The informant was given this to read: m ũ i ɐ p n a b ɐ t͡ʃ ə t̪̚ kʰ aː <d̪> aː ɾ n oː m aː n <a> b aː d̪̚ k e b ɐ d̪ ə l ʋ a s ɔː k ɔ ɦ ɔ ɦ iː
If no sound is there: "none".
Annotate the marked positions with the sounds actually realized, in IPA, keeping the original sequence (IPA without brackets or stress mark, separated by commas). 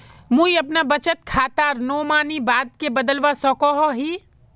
t̪, i